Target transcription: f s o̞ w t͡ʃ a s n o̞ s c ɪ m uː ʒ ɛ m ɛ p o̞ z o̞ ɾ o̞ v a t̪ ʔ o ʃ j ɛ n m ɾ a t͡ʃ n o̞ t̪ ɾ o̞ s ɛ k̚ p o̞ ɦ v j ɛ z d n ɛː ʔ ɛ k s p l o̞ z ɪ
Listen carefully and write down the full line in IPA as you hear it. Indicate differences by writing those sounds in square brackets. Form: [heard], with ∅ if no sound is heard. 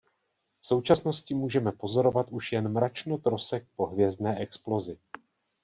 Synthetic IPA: f s o̞ w t͡ʃ a s n o̞ s c ɪ m uː ʒ ɛ m ɛ p o̞ z o̞ ɾ o̞ v a t̪ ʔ [u] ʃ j ɛ n m ɾ a t͡ʃ n o̞ t̪ ɾ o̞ s ɛ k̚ p o̞ ɦ v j ɛ z d n ɛː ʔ ɛ k s p l o̞ z ɪ